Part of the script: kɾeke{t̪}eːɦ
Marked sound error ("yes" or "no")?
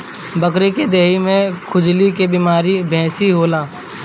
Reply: yes